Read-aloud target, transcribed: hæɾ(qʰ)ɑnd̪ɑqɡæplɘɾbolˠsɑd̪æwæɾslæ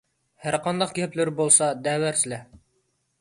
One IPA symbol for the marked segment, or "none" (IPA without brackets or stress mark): q